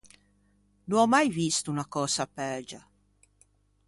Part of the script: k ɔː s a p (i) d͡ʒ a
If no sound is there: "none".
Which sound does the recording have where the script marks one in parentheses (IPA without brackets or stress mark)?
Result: ɛ